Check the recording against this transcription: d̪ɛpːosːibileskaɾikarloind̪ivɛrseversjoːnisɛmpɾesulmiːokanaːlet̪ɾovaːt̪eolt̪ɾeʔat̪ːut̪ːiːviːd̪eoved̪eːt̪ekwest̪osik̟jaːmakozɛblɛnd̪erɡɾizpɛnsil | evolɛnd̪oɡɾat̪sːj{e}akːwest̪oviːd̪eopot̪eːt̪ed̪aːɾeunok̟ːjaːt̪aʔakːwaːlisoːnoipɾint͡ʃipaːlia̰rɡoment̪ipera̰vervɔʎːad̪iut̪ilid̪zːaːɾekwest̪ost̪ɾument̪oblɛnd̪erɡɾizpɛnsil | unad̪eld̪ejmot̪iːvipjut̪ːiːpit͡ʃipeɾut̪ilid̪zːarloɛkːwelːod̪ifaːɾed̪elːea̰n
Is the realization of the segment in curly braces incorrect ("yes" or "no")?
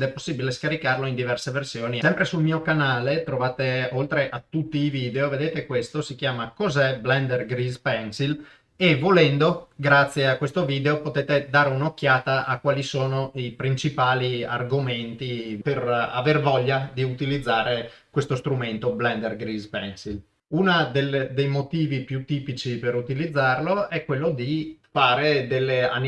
no